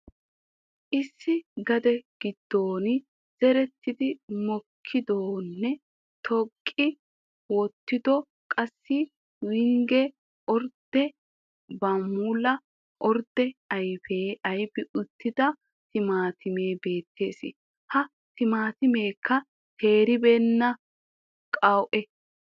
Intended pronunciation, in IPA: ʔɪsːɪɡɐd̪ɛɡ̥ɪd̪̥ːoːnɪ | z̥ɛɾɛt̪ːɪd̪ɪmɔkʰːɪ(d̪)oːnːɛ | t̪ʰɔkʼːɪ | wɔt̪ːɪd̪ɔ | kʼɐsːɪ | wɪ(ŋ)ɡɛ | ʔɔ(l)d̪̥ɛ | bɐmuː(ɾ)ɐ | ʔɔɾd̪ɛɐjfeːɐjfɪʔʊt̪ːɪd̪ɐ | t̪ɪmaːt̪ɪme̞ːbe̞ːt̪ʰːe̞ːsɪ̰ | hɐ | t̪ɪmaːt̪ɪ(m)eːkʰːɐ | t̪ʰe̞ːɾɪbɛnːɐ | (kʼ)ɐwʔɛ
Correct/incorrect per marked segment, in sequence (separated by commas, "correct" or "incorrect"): correct, correct, incorrect, incorrect, correct, correct